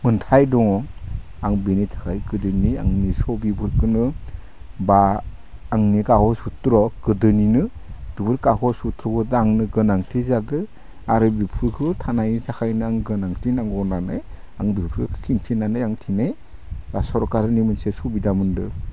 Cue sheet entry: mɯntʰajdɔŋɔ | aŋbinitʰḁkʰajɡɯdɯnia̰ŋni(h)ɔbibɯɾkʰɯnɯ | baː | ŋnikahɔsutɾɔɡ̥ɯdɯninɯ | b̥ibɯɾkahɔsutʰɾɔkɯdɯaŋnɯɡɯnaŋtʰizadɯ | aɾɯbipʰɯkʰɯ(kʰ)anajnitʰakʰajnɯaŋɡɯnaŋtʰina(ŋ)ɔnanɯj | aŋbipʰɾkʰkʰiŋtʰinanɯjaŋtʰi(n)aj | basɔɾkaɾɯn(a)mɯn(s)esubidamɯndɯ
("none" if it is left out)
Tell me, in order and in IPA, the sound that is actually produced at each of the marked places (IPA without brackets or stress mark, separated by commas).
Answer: s, tʰ, ŋ, n, i, s